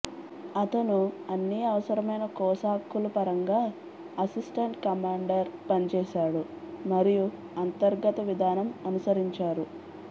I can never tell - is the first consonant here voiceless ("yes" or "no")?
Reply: yes